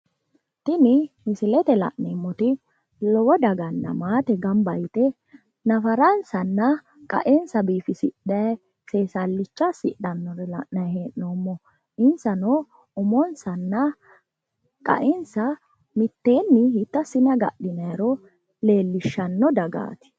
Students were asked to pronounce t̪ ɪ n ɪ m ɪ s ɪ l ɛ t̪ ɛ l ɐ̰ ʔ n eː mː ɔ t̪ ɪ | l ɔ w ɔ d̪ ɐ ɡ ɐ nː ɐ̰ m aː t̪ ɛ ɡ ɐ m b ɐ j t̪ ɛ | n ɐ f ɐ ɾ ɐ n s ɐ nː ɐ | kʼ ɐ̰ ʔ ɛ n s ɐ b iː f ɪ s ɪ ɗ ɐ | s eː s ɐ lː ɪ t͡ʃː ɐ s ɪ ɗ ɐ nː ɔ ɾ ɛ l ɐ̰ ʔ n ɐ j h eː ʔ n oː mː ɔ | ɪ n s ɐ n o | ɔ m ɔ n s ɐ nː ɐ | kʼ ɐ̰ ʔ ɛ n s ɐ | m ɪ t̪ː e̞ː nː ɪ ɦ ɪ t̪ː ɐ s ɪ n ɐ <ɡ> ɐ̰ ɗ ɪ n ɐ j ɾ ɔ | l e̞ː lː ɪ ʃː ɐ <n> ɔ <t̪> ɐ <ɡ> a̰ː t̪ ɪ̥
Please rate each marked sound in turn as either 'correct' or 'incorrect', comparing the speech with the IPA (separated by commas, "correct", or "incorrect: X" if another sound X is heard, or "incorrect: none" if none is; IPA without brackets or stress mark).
correct, incorrect: nː, incorrect: d̪, correct